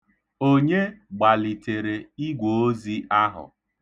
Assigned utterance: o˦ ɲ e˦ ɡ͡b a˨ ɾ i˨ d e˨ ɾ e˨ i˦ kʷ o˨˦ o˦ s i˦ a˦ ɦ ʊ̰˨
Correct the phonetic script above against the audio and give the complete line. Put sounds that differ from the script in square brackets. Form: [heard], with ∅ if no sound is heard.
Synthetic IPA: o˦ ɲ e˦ ɡ͡b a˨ [l] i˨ [t] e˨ ɾ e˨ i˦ [ɡʷ] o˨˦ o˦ [z] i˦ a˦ ɦ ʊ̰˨